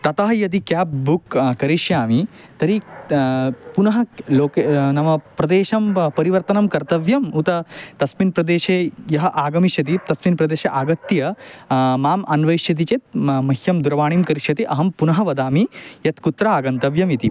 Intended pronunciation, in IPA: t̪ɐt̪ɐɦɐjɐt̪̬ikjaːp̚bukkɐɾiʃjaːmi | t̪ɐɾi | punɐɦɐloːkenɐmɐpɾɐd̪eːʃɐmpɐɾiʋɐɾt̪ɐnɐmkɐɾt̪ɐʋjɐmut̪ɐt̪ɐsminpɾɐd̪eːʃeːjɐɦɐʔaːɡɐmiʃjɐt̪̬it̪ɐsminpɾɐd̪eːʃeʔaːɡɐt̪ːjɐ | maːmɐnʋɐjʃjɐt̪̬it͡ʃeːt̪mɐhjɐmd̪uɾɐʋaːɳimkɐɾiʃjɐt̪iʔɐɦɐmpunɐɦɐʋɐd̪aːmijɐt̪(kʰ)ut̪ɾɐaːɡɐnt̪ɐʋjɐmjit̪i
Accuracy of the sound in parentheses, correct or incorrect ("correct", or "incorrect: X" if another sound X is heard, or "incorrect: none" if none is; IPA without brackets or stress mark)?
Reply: incorrect: k